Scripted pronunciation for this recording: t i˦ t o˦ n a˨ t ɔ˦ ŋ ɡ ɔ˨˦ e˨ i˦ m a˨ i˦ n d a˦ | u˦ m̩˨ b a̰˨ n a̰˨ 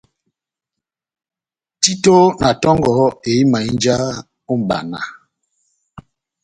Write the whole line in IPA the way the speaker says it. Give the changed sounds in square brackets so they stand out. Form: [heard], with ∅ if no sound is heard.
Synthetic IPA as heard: t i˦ t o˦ n a˨ t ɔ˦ ŋ ɡ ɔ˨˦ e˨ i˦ m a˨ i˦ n [d͡ʒ] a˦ | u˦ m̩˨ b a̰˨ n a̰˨